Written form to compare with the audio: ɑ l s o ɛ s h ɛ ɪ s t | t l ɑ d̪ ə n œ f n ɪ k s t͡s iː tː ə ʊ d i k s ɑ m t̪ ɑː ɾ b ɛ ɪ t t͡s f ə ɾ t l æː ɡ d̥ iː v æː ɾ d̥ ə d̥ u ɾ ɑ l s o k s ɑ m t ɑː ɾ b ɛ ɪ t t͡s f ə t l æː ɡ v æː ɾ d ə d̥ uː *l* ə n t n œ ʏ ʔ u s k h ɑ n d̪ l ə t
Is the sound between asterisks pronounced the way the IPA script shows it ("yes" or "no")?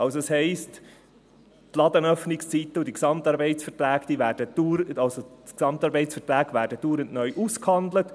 no